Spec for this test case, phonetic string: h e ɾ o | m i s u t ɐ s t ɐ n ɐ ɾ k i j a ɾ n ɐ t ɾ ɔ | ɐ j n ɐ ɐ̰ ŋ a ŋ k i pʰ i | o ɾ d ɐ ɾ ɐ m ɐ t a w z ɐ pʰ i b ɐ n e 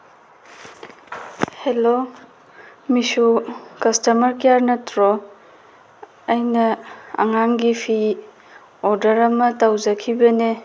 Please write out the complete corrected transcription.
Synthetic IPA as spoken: h e l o | m i s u k ɐ s t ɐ m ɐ ɾ k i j a ɾ n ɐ t ɾ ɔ | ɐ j n ɐ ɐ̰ ŋ a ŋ ɡ i pʰ i | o ɾ d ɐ ɾ ɐ m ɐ t a w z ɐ kʰ i b ɐ n e